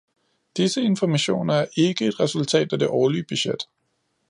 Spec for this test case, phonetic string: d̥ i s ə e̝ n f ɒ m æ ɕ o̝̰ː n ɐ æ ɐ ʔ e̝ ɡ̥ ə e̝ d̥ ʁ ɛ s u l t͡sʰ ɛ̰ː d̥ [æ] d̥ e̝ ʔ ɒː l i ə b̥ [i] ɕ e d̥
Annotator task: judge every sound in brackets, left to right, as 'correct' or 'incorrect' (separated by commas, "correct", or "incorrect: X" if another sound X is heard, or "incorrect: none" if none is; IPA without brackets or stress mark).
correct, incorrect: y